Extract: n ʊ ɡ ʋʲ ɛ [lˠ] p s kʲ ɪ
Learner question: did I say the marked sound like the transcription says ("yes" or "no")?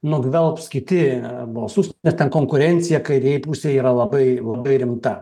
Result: yes